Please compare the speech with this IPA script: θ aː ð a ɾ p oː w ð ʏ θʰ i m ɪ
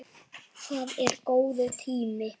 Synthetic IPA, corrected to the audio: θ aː ð ɛ ɾ k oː w ð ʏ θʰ iː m ɪ